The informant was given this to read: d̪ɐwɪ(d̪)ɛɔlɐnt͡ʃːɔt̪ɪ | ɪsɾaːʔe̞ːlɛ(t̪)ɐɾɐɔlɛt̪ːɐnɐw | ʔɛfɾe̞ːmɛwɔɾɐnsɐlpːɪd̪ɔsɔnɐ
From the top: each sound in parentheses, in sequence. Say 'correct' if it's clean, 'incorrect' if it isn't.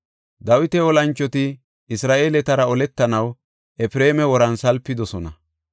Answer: incorrect: t̪, correct

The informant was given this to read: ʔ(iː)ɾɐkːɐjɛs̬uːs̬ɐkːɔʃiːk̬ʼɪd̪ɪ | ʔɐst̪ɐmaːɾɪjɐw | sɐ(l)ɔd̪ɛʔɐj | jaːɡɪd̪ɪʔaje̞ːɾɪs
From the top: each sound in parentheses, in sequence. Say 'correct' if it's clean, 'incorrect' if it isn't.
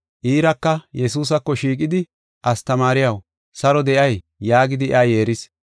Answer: correct, incorrect: ɾ

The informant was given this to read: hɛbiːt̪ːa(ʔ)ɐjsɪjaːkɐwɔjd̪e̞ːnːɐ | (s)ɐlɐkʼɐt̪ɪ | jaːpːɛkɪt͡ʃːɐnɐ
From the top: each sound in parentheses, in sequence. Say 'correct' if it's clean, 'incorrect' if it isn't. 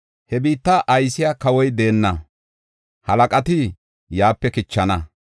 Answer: correct, incorrect: h

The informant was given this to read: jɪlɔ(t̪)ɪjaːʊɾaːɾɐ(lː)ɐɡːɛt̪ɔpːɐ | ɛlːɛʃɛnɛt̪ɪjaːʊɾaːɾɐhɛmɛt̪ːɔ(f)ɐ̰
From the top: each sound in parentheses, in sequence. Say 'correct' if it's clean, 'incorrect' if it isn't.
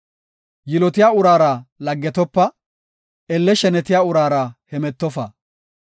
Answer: correct, incorrect: l, correct

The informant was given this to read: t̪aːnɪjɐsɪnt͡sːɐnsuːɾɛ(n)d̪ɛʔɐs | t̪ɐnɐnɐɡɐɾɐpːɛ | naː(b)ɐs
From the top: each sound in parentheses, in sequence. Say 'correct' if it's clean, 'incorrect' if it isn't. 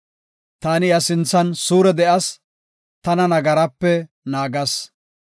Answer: incorrect: none, incorrect: ɡ

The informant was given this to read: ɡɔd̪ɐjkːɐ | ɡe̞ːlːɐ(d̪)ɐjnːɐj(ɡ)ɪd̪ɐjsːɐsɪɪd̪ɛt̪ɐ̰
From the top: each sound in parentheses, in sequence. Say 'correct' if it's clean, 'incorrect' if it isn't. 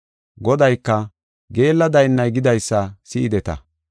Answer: correct, correct

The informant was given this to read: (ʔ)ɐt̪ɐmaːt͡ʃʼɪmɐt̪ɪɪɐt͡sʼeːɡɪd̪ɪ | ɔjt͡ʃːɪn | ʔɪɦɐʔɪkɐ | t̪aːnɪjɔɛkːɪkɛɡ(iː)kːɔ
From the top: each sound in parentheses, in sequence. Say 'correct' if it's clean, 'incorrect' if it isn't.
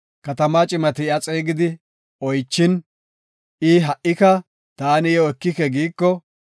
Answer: incorrect: k, correct

